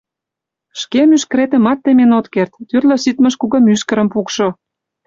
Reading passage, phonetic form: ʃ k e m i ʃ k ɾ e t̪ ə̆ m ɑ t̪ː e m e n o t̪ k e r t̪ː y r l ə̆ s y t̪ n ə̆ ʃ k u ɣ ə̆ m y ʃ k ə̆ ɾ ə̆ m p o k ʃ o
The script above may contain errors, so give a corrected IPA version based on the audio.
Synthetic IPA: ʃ k e m y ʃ k ɾ e t̪ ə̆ m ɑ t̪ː e m e n o t̪ k e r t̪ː y r l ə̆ s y t̪ m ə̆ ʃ k u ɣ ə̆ m y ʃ k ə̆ ɾ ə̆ m p u k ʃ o